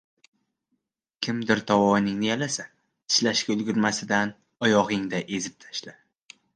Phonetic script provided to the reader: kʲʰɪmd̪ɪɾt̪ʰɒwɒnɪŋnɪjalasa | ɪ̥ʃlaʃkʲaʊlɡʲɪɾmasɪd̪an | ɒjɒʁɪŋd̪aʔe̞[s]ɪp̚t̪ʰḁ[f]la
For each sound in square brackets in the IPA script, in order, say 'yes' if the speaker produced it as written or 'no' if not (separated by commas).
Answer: no, no